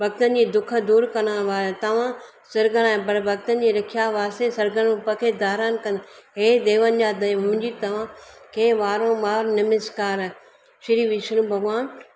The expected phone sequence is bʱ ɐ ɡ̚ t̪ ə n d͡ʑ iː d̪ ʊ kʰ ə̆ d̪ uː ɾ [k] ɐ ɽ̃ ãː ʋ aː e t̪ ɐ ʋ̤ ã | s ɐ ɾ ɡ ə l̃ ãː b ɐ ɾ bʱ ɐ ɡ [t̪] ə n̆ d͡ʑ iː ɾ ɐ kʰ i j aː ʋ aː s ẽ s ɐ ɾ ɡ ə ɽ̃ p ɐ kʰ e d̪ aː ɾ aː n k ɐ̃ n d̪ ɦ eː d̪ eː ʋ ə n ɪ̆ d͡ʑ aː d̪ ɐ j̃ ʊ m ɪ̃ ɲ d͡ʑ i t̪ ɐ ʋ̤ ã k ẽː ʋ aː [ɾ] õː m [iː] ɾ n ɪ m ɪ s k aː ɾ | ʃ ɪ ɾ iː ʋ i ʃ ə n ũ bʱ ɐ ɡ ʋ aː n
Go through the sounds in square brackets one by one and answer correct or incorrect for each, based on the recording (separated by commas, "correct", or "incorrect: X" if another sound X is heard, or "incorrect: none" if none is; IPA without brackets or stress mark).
correct, correct, correct, incorrect: aː